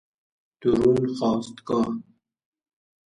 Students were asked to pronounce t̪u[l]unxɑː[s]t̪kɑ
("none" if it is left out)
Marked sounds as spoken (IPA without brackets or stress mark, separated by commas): ɾ, s